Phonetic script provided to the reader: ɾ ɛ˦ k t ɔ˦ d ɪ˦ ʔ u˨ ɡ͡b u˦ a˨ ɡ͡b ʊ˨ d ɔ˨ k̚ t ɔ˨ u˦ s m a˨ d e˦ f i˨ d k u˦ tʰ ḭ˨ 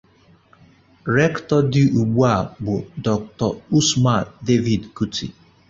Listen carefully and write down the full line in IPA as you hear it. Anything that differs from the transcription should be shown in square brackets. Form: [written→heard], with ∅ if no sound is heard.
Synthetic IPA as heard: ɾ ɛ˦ k t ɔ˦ d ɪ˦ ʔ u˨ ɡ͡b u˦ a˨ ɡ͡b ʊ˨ d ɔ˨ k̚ t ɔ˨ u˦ s m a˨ d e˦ [f→v] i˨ d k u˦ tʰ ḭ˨